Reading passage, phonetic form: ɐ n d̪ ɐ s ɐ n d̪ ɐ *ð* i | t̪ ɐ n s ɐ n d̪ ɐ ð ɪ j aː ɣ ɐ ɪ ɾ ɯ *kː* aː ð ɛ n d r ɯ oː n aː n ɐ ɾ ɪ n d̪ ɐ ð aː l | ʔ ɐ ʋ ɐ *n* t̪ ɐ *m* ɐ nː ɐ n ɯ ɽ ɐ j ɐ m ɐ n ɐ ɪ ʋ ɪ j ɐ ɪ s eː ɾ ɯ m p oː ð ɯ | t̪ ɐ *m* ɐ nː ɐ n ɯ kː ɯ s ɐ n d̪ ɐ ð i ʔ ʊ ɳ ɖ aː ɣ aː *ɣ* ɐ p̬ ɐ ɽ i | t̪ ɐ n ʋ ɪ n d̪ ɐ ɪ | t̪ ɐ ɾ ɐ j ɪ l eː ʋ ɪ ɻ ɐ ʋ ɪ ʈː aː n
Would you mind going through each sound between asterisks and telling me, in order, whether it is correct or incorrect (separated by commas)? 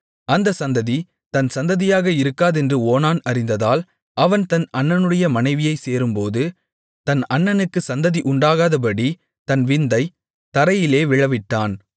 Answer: correct, correct, correct, incorrect, incorrect, incorrect